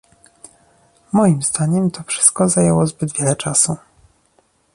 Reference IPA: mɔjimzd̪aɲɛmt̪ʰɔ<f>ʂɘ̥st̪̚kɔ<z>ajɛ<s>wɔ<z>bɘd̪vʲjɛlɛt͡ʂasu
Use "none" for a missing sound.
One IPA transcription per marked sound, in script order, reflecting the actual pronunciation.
f, z, none, z

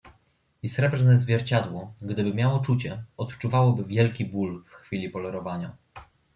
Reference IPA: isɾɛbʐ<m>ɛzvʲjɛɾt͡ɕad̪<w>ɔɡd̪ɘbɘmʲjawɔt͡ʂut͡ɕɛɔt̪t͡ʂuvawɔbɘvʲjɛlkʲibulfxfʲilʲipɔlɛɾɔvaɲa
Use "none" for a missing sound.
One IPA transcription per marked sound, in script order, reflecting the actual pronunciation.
n, w

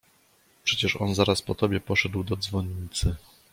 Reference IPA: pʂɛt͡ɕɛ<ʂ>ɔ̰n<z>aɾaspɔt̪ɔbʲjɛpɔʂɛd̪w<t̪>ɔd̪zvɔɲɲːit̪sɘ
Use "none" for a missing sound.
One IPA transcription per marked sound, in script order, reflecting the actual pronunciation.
ʂ, z, d̪

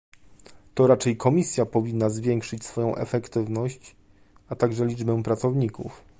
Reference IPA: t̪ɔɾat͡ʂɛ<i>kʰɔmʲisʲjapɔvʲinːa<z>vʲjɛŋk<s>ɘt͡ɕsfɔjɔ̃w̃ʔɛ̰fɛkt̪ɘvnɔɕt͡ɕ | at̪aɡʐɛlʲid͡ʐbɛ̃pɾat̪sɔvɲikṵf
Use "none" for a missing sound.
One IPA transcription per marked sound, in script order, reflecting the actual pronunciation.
j, z, ʂ

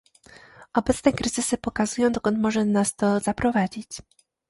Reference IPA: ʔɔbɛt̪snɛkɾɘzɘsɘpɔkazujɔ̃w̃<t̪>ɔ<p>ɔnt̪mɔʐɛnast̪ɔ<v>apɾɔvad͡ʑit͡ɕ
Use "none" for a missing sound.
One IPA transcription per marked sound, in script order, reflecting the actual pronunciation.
d̪, k, z

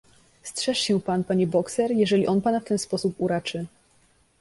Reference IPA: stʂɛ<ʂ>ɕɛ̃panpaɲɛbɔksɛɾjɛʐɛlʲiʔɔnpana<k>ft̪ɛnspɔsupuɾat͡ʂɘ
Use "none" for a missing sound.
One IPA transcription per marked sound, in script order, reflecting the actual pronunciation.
ʂ, none

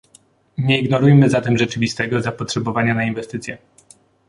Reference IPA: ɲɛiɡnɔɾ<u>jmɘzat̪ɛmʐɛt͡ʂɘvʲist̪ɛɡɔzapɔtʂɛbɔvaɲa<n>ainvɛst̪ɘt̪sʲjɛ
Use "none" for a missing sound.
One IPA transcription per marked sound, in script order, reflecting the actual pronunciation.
u, n

